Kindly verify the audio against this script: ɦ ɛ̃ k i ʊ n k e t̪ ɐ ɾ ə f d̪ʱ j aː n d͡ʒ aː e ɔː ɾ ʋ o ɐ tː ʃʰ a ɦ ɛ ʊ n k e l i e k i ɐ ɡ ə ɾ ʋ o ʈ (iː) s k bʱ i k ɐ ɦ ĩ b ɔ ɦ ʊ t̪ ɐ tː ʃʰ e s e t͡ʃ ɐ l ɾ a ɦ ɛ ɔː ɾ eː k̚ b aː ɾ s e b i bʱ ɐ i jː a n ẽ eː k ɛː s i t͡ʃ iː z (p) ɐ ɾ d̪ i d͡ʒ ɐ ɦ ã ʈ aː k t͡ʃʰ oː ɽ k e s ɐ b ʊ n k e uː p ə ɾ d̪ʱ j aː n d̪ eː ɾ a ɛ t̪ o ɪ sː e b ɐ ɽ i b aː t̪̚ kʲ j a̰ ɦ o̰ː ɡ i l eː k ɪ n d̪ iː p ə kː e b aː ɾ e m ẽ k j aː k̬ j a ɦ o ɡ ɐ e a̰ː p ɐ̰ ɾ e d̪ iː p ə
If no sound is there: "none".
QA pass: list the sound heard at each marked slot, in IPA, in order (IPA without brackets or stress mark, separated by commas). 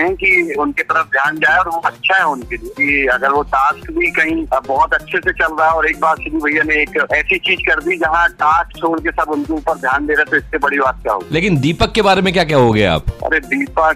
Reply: aː, k